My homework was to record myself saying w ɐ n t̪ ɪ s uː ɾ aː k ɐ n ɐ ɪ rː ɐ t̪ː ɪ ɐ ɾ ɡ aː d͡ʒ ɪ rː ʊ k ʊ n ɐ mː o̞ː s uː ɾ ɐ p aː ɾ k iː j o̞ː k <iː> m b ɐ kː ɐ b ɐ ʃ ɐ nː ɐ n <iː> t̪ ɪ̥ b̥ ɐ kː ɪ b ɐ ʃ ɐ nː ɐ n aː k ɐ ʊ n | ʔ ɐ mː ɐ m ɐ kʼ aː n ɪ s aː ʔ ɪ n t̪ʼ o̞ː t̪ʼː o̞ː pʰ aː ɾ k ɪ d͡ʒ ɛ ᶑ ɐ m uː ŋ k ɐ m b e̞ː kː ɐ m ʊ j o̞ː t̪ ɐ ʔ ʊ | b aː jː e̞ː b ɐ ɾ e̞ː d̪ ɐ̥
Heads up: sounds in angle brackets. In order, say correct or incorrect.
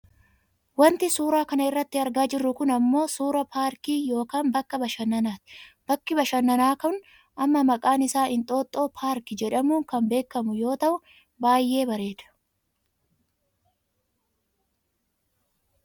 incorrect: aː, incorrect: aː

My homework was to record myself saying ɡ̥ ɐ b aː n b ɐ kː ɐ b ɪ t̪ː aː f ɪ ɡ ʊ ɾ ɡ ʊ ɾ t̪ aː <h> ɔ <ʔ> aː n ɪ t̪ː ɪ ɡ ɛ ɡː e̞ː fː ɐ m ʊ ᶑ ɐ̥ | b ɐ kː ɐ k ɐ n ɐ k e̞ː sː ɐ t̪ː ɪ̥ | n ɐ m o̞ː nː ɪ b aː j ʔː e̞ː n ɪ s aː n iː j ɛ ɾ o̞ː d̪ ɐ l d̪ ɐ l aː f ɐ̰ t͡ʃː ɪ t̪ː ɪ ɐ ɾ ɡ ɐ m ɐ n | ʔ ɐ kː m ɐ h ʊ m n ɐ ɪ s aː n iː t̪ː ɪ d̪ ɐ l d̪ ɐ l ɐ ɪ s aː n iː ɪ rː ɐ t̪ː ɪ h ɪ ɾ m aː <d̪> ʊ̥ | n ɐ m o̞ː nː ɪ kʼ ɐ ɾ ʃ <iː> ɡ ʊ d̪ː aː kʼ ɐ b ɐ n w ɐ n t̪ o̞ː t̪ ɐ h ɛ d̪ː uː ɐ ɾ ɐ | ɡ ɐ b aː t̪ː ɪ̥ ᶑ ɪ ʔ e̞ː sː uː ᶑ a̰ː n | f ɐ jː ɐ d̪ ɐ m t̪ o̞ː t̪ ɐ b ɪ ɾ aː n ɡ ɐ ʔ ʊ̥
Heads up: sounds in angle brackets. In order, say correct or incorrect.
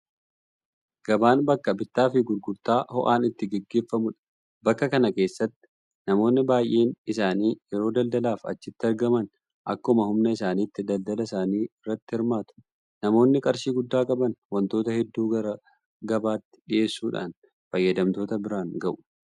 correct, correct, incorrect: t̪, correct

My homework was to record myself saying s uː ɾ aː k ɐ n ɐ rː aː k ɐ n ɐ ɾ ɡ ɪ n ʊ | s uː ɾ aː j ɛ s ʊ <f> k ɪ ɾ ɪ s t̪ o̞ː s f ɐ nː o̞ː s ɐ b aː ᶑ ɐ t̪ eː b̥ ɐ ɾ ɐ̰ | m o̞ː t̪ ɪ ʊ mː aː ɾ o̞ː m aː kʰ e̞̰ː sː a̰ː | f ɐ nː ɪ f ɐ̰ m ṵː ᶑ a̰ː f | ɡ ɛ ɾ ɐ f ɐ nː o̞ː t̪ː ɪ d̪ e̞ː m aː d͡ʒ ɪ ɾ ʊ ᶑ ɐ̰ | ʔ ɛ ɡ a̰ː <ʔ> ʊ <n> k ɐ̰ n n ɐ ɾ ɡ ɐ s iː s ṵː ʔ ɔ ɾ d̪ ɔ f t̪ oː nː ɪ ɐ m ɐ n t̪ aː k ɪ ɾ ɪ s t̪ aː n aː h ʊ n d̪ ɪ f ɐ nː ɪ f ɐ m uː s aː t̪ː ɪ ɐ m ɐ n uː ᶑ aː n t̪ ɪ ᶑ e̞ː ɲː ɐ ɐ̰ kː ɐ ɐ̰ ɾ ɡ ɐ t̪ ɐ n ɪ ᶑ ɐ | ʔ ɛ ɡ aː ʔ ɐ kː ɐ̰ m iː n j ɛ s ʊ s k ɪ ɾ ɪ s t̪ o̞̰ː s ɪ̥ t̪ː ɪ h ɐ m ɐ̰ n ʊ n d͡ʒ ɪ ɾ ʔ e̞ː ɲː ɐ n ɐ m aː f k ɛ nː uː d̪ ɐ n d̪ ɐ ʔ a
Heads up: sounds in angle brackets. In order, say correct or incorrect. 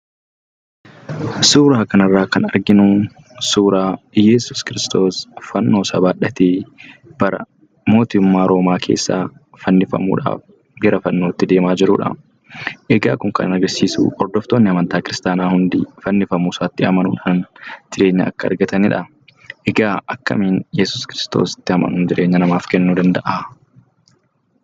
incorrect: s, incorrect: k, incorrect: ŋ

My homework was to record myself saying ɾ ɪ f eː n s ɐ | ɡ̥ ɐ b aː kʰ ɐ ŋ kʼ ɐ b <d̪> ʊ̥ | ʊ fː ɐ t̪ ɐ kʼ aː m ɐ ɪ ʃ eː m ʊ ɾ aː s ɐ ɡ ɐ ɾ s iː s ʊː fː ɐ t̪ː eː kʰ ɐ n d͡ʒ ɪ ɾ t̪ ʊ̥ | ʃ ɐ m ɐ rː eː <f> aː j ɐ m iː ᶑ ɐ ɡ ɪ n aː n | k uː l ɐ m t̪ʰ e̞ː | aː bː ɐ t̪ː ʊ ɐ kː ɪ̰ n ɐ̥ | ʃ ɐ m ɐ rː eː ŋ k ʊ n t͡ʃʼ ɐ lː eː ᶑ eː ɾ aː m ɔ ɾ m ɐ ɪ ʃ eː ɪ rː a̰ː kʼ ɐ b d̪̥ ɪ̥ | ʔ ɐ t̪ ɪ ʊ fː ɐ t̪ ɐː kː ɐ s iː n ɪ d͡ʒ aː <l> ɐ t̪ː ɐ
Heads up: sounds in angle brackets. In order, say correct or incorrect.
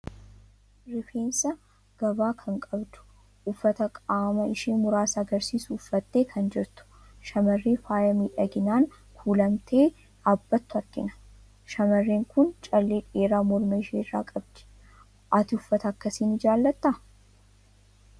correct, correct, incorrect: lː

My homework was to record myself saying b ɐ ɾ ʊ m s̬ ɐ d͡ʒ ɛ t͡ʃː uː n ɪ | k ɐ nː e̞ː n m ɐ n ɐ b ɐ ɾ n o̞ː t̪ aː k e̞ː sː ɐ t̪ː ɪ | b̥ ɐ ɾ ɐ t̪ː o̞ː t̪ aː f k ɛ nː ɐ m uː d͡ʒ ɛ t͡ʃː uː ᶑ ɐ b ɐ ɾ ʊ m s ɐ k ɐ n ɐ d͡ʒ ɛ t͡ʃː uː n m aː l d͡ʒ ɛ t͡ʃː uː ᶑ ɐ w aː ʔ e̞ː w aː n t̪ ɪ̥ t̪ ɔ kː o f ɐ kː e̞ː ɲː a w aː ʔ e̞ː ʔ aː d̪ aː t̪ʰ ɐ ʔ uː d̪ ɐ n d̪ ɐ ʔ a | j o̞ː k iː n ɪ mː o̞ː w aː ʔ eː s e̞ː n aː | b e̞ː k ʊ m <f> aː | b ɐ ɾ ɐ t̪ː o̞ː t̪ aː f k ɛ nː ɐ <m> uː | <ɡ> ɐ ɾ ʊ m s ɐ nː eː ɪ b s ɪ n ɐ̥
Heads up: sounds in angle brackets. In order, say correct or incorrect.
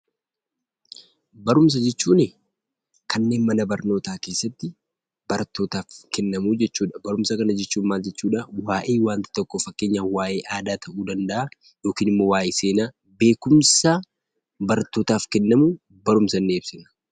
incorrect: s, correct, incorrect: b

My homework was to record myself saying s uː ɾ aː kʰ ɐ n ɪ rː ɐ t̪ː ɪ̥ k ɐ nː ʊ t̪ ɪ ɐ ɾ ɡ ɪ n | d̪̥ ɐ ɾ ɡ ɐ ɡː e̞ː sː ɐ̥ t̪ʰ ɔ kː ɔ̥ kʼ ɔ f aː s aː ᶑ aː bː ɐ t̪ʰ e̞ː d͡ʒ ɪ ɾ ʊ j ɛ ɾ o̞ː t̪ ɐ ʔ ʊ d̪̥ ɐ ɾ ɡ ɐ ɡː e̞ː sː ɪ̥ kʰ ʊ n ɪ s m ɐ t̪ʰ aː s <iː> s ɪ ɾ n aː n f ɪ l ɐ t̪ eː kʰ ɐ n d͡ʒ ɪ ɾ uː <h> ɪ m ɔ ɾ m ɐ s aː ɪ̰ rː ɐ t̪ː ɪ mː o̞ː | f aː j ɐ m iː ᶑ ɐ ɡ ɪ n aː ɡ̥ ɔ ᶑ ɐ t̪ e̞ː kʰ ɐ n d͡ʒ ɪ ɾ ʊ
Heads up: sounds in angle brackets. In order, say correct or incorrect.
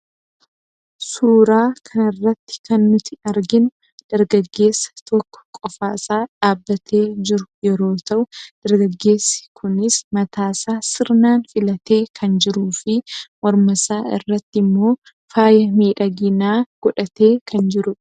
incorrect: aː, incorrect: f

